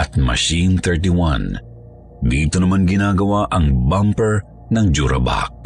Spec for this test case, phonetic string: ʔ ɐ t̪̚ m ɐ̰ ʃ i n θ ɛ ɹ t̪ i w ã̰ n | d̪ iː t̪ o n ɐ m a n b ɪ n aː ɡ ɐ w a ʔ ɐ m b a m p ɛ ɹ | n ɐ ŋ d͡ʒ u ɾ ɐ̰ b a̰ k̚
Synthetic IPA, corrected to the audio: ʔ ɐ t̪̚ m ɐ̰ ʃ i n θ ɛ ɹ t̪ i w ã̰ n | d̪ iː t̪ o n ɐ m a n ɡ ɪ n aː ɡ ɐ w a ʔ ɐ ŋ b a m p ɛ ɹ | n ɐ ŋ d͡ʒ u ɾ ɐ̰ b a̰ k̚